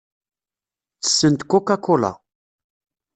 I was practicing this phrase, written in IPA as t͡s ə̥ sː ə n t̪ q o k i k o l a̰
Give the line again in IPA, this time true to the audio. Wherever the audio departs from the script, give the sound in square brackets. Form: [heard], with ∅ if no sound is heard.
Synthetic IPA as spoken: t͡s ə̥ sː ə n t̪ [k] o k [a] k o l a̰